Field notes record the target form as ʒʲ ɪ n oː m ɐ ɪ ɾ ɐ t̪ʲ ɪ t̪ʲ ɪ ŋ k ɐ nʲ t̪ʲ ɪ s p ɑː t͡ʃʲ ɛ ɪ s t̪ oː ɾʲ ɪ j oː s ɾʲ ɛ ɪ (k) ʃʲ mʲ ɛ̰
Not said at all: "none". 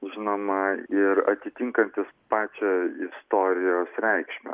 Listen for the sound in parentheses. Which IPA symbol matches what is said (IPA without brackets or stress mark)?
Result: k